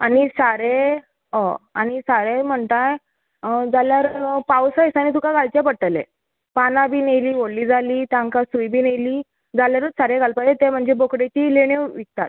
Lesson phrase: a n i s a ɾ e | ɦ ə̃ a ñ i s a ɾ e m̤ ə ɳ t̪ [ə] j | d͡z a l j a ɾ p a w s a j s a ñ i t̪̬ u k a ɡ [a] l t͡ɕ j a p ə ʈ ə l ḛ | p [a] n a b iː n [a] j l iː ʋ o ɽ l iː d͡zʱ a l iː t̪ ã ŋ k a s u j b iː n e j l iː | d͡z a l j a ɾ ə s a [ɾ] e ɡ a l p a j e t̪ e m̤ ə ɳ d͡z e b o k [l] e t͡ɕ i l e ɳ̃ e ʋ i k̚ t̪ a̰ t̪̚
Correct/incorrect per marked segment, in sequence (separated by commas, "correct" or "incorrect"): incorrect, correct, correct, incorrect, correct, incorrect